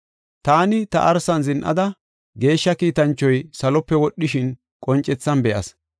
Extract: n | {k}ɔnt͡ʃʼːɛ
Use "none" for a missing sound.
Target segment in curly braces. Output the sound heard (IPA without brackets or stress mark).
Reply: kʼ